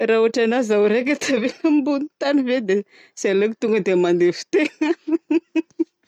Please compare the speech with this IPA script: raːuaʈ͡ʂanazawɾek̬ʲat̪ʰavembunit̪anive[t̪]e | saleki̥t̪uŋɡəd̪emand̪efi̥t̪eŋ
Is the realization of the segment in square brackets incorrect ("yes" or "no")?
yes